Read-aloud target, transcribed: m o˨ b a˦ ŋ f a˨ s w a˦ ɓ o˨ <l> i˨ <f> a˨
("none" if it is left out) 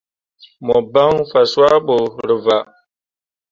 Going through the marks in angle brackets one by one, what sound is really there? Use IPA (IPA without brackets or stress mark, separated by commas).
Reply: ɾ, v